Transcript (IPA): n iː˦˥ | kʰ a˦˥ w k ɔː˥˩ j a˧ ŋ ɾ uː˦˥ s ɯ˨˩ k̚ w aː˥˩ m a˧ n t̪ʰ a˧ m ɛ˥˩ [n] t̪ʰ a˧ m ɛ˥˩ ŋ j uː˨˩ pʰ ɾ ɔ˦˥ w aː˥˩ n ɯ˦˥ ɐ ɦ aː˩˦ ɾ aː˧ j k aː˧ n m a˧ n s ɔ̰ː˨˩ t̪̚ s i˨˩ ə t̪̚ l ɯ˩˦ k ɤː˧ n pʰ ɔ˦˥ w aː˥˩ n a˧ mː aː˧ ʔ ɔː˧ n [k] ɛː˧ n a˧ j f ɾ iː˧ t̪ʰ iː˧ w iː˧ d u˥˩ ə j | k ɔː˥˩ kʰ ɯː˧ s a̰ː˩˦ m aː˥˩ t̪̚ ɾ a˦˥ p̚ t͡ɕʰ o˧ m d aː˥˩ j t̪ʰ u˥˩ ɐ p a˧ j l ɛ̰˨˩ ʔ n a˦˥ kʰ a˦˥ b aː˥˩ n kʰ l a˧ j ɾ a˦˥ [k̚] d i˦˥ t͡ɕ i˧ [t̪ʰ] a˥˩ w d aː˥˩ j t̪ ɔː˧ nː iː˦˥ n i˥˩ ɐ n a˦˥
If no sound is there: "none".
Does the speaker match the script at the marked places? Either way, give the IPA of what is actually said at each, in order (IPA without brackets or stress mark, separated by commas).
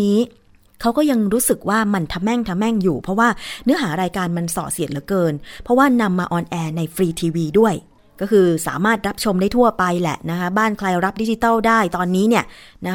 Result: ŋ, ʔ, p̚, t̪